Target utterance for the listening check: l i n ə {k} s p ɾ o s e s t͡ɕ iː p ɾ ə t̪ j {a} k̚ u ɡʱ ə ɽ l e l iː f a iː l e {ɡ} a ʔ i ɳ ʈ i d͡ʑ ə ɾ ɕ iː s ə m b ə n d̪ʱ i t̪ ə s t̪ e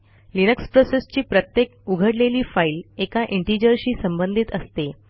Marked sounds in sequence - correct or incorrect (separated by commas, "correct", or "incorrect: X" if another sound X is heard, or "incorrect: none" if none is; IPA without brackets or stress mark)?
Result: correct, incorrect: e, incorrect: k